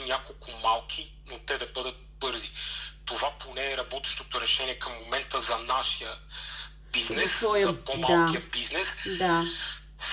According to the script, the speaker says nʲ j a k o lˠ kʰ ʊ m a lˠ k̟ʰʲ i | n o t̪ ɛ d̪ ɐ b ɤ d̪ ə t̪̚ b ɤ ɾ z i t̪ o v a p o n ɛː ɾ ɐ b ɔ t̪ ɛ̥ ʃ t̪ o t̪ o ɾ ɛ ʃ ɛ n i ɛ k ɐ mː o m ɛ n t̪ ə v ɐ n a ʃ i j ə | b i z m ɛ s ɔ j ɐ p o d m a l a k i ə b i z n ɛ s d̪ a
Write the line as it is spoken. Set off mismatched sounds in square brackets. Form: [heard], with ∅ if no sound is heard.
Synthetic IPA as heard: nʲ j a k o lˠ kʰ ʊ m a lˠ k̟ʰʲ i | n o t̪ ɛ d̪ ɐ b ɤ d̪ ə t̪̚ b ɤ ɾ z i t̪ o v a p o n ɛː ɾ ɐ b ɔ t̪ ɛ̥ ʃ t̪ o t̪ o ɾ ɛ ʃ ɛ n i ɛ k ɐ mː o m ɛ n t̪ ə [z] ɐ n a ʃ i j ə | b i z [n] ɛ s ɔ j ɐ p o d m a l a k i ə b i z n ɛ s d̪ a